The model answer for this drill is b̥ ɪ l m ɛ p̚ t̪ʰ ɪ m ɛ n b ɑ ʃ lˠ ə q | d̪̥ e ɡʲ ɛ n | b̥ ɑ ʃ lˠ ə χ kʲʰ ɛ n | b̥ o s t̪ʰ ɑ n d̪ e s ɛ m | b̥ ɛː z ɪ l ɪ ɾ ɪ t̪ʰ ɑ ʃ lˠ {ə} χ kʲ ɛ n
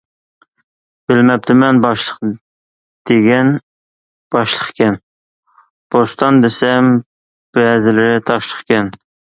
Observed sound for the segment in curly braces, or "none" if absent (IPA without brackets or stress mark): ə